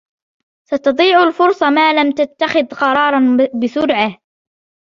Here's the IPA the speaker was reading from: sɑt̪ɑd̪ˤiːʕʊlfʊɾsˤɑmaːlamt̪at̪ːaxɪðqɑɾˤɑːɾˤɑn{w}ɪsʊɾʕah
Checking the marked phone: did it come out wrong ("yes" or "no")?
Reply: yes